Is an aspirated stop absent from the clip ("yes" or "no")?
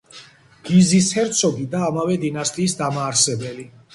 yes